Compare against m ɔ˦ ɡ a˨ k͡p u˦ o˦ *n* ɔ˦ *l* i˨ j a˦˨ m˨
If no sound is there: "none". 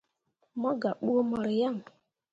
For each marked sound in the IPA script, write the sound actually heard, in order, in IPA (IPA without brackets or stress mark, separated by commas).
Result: m, ɾ